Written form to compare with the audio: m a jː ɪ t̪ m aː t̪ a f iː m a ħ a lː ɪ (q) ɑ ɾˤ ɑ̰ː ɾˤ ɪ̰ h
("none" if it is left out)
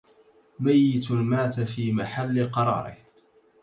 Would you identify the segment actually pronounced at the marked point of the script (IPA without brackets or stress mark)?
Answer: q